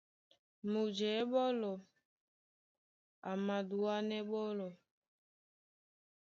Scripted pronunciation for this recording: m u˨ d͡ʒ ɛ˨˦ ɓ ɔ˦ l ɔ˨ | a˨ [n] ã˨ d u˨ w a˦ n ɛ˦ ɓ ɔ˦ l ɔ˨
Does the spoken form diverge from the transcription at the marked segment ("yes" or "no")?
yes